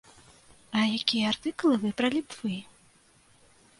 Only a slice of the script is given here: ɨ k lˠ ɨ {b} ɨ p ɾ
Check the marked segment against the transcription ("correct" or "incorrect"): incorrect